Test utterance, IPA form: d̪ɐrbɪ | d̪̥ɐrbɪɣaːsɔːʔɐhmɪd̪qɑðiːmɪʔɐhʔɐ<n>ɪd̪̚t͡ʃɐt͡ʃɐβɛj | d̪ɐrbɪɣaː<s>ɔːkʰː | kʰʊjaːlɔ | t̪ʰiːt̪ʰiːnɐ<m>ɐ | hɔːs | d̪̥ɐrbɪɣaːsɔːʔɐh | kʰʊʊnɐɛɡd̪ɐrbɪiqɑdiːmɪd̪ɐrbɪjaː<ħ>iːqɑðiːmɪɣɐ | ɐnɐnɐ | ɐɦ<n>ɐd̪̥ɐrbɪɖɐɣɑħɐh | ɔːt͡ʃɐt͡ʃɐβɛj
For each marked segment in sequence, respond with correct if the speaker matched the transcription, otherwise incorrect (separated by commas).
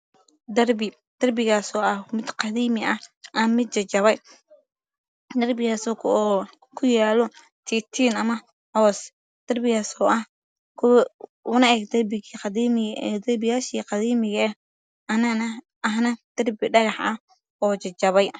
incorrect, correct, correct, incorrect, correct